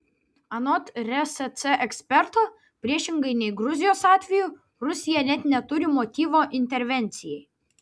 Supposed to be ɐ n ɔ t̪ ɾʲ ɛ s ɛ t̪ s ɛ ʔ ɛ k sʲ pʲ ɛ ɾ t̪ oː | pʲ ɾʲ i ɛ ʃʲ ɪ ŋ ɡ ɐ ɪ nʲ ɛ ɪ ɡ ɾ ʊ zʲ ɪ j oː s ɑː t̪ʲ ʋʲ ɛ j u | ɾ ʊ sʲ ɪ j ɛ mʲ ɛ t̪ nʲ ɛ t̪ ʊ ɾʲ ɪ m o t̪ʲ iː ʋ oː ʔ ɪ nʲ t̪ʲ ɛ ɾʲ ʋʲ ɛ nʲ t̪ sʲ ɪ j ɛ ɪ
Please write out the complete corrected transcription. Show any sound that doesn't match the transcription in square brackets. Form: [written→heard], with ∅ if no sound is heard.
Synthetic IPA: ɐ n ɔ t̪ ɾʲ ɛ s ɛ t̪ s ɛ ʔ ɛ k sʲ pʲ ɛ ɾ t̪ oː | pʲ ɾʲ i ɛ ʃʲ ɪ ŋ ɡ ɐ ɪ nʲ ɛ ɪ ɡ ɾ ʊ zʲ ɪ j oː s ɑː t̪ʲ ʋʲ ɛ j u | ɾ ʊ sʲ ɪ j ɛ [mʲ→nʲ] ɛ t̪ nʲ ɛ t̪ ʊ ɾʲ ɪ m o t̪ʲ iː ʋ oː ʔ ɪ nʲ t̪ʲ ɛ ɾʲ ʋʲ ɛ nʲ t̪ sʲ ɪ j ɛ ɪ

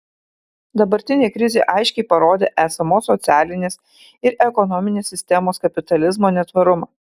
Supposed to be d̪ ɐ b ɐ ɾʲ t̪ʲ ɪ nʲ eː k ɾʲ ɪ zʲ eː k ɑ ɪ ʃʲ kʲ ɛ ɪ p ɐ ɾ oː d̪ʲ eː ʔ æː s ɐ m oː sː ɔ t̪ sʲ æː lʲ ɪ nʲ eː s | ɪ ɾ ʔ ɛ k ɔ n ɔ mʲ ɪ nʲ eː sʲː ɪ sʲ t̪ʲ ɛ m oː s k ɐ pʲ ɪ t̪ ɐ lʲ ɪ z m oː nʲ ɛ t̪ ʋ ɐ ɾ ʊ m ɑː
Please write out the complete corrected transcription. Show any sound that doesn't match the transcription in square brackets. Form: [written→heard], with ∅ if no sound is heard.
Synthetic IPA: d̪ ɐ b ɐ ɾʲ t̪ʲ ɪ nʲ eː k ɾʲ ɪ zʲ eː [k→ʔ] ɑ ɪ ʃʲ kʲ ɛ ɪ p ɐ ɾ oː d̪ʲ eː ʔ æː s ɐ m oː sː ɔ t̪ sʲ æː lʲ ɪ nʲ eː s | ɪ ɾ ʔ ɛ k ɔ n ɔ mʲ ɪ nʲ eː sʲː ɪ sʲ t̪ʲ ɛ m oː s k ɐ pʲ ɪ t̪ ɐ lʲ ɪ z m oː nʲ ɛ t̪ ʋ ɐ ɾ ʊ m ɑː

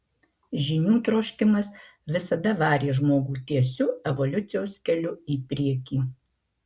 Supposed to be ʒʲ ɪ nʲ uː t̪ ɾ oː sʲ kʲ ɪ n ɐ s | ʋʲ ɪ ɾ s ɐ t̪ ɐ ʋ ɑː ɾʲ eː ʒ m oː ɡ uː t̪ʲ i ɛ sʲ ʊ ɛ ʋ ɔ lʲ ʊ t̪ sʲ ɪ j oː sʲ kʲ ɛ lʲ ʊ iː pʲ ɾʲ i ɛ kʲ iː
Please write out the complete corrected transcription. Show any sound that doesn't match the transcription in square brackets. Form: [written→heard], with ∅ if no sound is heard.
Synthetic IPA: ʒʲ ɪ nʲ uː t̪ ɾ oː [sʲ→ʃʲ] kʲ ɪ [n→m] ɐ s | ʋʲ ɪ [ɾ→∅] s ɐ [t̪→d̪] ɐ ʋ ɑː ɾʲ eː ʒ m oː ɡ uː t̪ʲ i ɛ sʲ ʊ ɛ ʋ ɔ lʲ ʊ t̪ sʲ ɪ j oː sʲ kʲ ɛ lʲ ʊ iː pʲ ɾʲ i ɛ kʲ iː

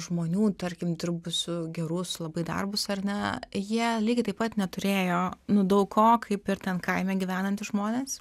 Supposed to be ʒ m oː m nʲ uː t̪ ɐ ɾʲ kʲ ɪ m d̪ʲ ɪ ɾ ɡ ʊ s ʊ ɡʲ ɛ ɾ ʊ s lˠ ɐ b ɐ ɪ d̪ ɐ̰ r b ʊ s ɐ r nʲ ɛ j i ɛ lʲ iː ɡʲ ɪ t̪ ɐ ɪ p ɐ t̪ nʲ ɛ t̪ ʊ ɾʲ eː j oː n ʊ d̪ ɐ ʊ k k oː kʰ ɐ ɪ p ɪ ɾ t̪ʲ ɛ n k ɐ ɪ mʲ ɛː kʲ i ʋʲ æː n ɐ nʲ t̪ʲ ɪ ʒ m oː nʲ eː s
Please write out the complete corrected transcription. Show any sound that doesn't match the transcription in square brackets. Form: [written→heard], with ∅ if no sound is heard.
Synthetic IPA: ʒ m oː [m→∅] nʲ uː t̪ ɐ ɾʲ kʲ ɪ m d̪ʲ ɪ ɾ [ɡ→b] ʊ s ʊ ɡʲ ɛ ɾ ʊ s lˠ ɐ b ɐ ɪ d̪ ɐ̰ r b ʊ s ɐ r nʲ ɛ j i ɛ lʲ iː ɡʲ ɪ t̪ ɐ ɪ p ɐ t̪ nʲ ɛ t̪ ʊ ɾʲ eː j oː n ʊ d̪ ɐ ʊ k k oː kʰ ɐ ɪ p ɪ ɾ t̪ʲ ɛ n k ɐ ɪ mʲ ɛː [kʲ→ɡʲ] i ʋʲ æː n ɐ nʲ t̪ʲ ɪ ʒ m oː nʲ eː s

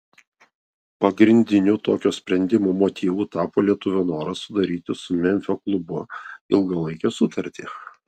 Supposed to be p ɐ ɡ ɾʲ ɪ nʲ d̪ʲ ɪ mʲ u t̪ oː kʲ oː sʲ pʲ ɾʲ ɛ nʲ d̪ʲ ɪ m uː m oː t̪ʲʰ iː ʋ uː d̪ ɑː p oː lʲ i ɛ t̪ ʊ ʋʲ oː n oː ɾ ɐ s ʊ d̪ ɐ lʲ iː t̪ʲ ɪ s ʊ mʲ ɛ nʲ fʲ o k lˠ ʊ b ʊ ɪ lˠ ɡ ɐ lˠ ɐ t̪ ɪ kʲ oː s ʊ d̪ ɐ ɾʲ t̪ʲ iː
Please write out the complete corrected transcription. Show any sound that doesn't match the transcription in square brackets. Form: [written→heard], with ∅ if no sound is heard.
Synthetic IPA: p ɐ ɡ ɾʲ ɪ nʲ d̪ʲ ɪ [mʲ→nʲ] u t̪ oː kʲ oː sʲ pʲ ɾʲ ɛ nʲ d̪ʲ ɪ m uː m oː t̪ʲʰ iː ʋ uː [d̪→t̪] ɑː p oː lʲ i ɛ t̪ ʊ ʋʲ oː n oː ɾ ɐ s ʊ d̪ ɐ [lʲ→ɾʲ] iː t̪ʲ ɪ s ʊ mʲ ɛ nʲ fʲ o k lˠ ʊ b ʊ ɪ lˠ ɡ ɐ lˠ ɐ [t̪→∅] ɪ kʲ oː s ʊ [d̪→t̪] ɐ ɾʲ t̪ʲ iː

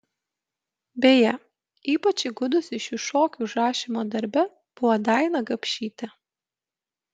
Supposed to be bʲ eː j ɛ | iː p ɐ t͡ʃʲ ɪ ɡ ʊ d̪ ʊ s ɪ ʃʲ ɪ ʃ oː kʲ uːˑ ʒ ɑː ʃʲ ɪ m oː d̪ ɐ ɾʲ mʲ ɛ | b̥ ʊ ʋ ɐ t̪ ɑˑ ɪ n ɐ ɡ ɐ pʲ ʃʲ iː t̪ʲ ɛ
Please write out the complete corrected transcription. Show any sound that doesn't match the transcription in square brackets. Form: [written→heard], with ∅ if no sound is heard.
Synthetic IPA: bʲ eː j ɛ | iː p ɐ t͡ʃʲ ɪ ɡ ʊ d̪ ʊ s ɪ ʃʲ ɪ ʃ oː kʲ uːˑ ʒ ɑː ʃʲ ɪ m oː d̪ ɐ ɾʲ [mʲ→bʲ] ɛ | b̥ ʊ ʋ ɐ [t̪→d̪] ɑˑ ɪ n ɐ ɡ ɐ pʲ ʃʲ iː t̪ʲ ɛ

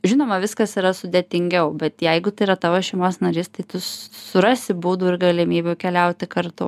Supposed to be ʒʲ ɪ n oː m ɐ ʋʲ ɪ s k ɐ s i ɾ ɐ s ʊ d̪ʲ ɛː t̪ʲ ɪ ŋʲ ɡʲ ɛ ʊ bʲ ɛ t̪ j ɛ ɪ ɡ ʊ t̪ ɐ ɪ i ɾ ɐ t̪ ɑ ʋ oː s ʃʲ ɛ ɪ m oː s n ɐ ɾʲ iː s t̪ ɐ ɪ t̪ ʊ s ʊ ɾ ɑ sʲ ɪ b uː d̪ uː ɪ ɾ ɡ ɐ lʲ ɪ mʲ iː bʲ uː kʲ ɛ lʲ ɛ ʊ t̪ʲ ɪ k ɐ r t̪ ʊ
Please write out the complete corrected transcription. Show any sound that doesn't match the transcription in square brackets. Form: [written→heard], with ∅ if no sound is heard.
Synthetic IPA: ʒʲ ɪ n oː m ɐ ʋʲ ɪ s k ɐ s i ɾ ɐ s ʊ d̪ʲ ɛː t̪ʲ ɪ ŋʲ ɡʲ ɛ ʊ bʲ ɛ t̪ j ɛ ɪ ɡ ʊ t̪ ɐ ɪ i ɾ ɐ t̪ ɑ ʋ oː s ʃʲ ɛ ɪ m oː s n ɐ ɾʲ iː s t̪ ɐ ɪ t̪ ʊ s ʊ ɾ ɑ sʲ ɪ b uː d̪ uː ɪ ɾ ɡ ɐ lʲ ɪ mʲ iː bʲ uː kʲ ɛ lʲ ɛ ʊ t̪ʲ ɪ k ɐ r t̪ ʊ

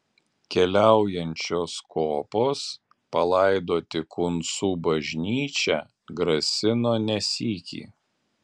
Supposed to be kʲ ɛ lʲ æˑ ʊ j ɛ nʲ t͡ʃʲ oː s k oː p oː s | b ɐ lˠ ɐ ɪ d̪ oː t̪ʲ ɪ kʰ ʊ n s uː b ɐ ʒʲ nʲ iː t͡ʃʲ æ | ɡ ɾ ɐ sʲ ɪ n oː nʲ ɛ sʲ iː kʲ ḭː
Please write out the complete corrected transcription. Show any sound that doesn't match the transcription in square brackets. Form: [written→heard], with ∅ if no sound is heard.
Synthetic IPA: kʲ ɛ lʲ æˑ ʊ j ɛ nʲ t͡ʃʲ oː s k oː p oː s | [b→p] ɐ lˠ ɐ ɪ d̪ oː t̪ʲ ɪ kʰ ʊ n s uː b ɐ ʒʲ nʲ iː t͡ʃʲ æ | ɡ ɾ ɐ sʲ ɪ n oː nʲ ɛ sʲ iː kʲ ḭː

